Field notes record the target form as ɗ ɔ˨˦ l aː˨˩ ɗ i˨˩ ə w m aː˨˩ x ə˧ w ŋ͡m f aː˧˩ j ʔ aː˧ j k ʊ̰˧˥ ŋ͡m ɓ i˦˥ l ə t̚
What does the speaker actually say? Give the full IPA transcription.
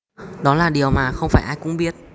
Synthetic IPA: ɗ ɔ˨˦ l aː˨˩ ɗ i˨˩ ə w m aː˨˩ x ə˧ w ŋ͡m f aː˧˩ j ʔ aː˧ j k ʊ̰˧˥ ŋ͡m ɓ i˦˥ ə t̚